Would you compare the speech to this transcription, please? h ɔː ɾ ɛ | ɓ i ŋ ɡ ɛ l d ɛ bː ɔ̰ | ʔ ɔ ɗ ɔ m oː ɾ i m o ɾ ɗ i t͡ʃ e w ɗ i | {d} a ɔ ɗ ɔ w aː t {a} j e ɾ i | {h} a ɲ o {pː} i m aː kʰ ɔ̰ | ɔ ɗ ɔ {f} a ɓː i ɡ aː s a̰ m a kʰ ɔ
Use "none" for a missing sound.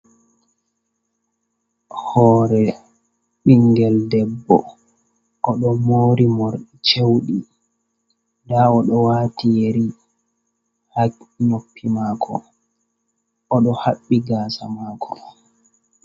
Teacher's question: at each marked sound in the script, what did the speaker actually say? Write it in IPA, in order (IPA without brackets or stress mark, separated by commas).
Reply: d, i, h, pː, h